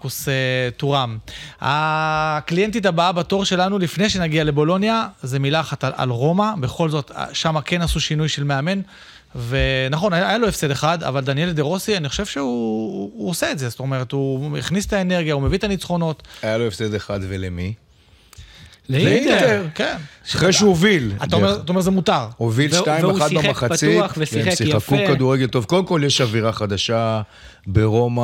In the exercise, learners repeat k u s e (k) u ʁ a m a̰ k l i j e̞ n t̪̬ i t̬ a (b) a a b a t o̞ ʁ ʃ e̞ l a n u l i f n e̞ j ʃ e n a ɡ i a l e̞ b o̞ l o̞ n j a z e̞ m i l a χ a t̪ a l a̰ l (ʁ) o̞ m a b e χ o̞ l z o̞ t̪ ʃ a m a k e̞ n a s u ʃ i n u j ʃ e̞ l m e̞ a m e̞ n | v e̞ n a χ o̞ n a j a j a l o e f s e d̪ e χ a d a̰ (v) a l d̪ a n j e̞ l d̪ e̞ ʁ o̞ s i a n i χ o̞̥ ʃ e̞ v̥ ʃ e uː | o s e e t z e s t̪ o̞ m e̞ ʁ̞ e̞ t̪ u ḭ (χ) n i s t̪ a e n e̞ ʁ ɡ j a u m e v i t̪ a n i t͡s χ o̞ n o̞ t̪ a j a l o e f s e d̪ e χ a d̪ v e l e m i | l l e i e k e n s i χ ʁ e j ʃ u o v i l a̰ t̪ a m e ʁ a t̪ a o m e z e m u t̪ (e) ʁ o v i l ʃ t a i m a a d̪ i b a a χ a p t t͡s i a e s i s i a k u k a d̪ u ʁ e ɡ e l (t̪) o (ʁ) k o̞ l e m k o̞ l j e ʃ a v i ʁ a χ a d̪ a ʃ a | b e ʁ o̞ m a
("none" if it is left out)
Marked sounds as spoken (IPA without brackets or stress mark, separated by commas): t, b, ʁ, v, χ, a, t̪, v